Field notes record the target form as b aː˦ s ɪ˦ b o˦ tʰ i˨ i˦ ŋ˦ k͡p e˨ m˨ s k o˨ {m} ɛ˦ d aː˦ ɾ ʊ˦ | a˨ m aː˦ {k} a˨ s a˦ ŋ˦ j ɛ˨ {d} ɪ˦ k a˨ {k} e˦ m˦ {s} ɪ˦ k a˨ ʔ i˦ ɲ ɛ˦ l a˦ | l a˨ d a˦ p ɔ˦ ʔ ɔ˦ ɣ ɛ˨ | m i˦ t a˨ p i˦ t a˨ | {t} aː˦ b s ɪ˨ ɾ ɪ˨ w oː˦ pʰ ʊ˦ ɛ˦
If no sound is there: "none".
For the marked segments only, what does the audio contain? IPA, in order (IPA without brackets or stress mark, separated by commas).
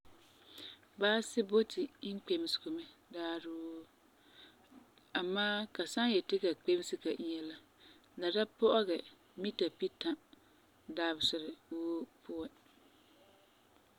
m, k, t, k͡p, s, d